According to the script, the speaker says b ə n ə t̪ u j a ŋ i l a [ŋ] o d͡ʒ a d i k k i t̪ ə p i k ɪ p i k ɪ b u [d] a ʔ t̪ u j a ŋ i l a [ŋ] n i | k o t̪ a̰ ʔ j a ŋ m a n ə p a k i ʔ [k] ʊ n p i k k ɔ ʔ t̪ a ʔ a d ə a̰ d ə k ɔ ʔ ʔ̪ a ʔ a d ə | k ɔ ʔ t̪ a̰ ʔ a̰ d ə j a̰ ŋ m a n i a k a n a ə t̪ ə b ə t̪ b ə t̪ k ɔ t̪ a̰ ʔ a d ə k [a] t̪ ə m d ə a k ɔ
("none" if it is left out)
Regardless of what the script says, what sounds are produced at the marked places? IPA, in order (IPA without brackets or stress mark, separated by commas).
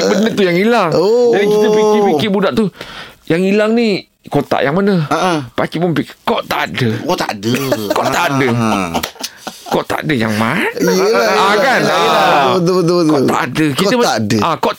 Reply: ŋ, d, ŋ, p, i